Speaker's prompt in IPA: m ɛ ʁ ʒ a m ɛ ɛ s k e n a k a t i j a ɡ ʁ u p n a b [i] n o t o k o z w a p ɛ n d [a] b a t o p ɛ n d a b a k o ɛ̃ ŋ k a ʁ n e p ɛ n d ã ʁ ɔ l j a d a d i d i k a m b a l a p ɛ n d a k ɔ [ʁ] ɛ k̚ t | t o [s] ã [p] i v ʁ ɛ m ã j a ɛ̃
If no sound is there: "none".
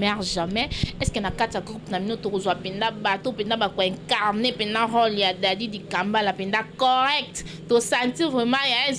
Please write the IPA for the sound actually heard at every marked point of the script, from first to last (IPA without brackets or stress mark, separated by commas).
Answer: i, a, ʁ, s, t